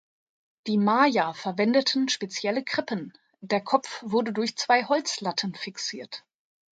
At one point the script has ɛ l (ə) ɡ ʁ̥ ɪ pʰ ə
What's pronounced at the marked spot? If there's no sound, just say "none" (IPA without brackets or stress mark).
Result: ə